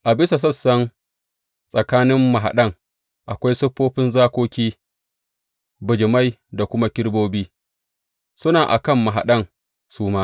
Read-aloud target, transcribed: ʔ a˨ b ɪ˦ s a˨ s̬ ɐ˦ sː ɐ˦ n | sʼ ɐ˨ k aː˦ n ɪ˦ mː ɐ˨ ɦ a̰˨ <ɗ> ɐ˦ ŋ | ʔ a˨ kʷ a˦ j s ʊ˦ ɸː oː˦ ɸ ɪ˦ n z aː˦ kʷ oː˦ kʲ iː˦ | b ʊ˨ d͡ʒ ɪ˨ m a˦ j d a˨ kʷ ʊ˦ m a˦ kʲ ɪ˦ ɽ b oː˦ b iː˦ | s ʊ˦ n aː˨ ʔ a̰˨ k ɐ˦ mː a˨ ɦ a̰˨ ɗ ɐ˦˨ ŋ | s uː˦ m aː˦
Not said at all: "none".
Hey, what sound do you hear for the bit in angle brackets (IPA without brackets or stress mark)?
ɗ